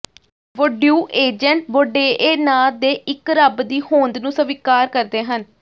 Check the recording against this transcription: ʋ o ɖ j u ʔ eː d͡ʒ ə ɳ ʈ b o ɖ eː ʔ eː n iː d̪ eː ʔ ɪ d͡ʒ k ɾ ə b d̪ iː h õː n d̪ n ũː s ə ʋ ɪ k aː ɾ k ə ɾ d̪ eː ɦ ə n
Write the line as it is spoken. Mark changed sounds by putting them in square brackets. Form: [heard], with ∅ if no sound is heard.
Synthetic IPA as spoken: ʋ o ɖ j [uː] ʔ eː d͡ʒ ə ɳ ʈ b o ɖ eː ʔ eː n [aː] d̪ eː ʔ ɪ [∅] k ɾ ə b d̪ iː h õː n d̪ n ũː s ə ʋ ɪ k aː ɾ k ə ɾ d̪ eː ɦ ə n